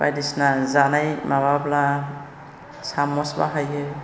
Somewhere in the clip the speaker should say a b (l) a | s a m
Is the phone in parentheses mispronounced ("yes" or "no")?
no